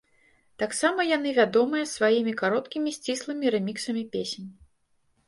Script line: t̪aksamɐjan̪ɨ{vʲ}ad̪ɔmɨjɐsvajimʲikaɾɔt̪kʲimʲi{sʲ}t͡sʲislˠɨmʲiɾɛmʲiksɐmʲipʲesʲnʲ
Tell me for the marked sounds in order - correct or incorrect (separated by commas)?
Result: correct, correct